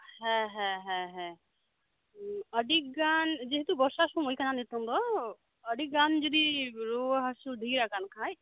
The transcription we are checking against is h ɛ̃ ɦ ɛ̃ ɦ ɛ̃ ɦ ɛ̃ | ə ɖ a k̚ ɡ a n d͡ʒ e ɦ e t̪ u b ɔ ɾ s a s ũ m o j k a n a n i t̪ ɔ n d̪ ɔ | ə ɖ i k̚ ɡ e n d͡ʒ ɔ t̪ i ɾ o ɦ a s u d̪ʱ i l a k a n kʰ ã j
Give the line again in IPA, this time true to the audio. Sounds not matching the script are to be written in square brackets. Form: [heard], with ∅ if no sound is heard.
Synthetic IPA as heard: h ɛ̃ ɦ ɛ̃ ɦ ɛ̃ ɦ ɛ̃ | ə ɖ [i] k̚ ɡ a n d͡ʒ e ɦ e t̪ u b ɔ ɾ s a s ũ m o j k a n a n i t̪ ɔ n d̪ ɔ | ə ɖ i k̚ ɡ [a] n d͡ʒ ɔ [d̪] i ɾ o ɦ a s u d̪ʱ i [ɾ] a k a n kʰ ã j